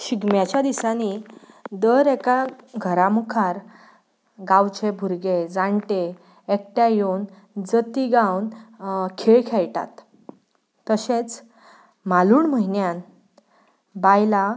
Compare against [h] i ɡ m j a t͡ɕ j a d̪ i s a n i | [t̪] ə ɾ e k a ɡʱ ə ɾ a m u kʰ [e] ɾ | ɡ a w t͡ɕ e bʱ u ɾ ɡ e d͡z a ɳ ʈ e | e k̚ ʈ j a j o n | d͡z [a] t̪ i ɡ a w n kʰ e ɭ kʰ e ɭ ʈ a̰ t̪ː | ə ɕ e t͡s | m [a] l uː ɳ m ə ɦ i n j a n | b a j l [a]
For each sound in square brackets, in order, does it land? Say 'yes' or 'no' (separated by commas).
no, no, no, no, yes, yes